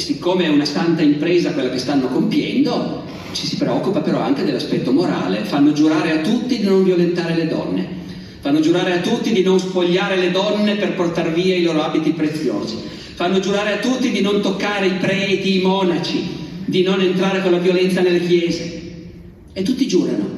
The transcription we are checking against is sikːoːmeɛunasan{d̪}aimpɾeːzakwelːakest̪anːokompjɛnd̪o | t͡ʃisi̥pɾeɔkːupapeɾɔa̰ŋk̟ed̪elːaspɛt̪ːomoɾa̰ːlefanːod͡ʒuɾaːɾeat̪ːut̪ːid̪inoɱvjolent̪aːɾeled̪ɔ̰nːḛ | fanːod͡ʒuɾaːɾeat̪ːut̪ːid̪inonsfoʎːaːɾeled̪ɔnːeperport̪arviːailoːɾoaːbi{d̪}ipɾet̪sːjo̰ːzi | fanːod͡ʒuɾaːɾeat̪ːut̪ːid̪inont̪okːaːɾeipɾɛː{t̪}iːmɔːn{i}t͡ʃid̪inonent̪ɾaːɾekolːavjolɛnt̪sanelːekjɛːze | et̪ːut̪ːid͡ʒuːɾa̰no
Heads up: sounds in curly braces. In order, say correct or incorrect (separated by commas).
incorrect, incorrect, correct, incorrect